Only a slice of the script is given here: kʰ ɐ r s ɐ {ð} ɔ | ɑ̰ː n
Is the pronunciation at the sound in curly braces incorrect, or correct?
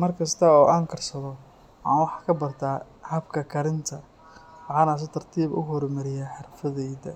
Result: correct